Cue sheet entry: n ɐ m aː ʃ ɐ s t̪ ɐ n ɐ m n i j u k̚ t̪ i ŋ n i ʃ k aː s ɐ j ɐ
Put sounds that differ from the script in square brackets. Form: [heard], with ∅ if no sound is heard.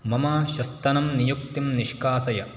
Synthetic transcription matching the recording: [m] ɐ m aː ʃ ɐ s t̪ ɐ n ɐ m n i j u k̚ t̪ i [m] n i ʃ k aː s ɐ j ɐ